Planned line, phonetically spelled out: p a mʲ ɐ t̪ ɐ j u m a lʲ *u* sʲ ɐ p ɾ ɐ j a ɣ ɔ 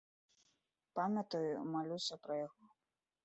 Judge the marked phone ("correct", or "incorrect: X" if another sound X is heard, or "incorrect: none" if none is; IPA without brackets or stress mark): correct